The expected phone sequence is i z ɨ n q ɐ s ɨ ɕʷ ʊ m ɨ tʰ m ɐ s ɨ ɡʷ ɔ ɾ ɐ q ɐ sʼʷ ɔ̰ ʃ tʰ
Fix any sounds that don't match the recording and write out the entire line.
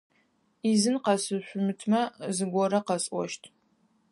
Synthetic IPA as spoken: i z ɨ n q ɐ s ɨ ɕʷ ʊ m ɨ tʰ m ɐ z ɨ ɡʷ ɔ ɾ ɐ q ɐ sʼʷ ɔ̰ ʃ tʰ